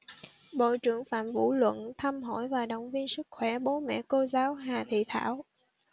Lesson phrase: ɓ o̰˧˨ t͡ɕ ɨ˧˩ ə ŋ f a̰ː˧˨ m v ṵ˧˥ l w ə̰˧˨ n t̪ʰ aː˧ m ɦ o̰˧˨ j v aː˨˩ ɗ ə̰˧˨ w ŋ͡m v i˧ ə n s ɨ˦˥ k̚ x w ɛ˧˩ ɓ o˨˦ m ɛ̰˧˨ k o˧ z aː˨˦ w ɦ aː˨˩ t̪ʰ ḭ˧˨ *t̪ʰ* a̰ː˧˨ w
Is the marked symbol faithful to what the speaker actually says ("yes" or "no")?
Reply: yes